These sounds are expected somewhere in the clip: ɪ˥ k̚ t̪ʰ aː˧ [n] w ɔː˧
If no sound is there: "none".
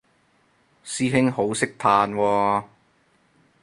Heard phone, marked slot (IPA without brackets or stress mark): n